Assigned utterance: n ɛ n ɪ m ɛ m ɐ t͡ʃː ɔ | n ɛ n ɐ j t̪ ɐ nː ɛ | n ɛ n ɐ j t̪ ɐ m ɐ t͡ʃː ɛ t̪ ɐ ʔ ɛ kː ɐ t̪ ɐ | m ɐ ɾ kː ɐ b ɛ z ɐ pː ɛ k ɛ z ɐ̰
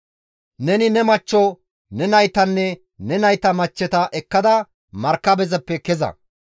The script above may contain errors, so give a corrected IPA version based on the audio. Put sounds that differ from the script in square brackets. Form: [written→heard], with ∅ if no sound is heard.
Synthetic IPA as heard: n ɛ n ɪ [m→n] ɛ m ɐ t͡ʃː ɔ | n ɛ n ɐ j t̪ ɐ nː ɛ | n ɛ n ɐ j t̪ ɐ m ɐ t͡ʃː ɛ t̪ ɐ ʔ ɛ kː ɐ [t̪→d̪] ɐ | m ɐ ɾ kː ɐ b ɛ z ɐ pː ɛ k ɛ z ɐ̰